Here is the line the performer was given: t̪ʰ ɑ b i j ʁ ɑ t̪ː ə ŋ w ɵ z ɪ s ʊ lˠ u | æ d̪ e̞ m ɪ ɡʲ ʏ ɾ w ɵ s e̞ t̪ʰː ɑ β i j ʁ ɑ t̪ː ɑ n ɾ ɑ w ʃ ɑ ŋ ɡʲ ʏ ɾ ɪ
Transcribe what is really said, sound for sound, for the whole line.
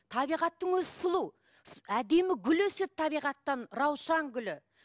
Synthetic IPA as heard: t̪ʰ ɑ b i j ʁ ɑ t̪ː ə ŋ w ɵ z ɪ s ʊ lˠ u | æ d̪ e̞ m ɪ ɡʲ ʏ l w ɵ s e̞ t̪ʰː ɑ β i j ʁ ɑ t̪ː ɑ n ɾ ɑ w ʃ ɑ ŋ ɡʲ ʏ l ɪ